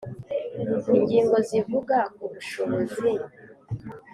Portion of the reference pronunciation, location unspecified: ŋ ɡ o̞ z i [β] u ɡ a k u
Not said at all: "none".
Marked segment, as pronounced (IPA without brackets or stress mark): v